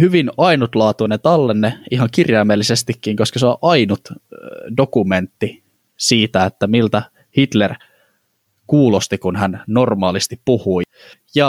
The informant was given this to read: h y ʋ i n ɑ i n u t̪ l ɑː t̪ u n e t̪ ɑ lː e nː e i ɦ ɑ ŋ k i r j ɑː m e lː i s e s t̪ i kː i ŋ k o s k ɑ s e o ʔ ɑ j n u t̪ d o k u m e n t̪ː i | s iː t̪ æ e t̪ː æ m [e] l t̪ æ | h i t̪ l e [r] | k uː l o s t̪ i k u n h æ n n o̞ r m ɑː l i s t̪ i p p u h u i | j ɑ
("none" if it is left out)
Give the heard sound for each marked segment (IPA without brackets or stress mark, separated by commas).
i, r